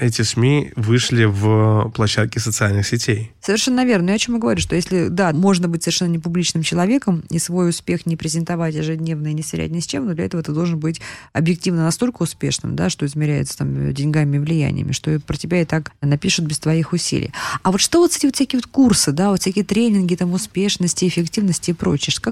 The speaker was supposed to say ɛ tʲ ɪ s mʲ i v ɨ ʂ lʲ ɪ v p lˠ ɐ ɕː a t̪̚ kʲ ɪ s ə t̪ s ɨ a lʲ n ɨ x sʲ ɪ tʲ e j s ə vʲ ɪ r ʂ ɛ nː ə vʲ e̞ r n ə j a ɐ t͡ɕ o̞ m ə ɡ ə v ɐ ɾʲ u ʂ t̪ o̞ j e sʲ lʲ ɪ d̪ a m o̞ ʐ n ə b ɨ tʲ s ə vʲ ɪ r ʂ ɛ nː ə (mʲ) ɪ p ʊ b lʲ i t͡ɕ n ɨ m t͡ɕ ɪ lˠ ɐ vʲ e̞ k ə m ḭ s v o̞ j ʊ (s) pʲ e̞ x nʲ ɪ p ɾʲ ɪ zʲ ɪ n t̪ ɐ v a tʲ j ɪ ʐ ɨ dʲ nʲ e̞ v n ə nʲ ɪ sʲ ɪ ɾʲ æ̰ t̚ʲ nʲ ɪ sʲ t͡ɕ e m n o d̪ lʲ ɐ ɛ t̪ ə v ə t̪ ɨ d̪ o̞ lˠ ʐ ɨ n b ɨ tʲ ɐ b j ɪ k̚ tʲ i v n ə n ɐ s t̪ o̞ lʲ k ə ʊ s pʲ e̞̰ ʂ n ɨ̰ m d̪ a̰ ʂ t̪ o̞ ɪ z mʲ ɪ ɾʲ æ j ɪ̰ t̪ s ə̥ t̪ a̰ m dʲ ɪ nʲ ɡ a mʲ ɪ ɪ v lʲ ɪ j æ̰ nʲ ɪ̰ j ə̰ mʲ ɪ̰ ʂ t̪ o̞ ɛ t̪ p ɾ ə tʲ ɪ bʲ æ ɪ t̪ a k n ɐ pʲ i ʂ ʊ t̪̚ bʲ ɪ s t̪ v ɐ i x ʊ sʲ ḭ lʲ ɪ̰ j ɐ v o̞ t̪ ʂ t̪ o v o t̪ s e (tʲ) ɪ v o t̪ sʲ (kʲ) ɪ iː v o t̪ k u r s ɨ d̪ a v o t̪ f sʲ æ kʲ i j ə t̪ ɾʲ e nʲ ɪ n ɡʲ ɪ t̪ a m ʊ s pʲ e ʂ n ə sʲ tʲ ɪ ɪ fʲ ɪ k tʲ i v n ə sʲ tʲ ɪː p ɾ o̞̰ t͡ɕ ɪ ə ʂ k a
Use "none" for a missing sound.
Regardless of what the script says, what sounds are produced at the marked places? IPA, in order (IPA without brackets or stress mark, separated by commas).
nʲ, s, tʲ, kʲ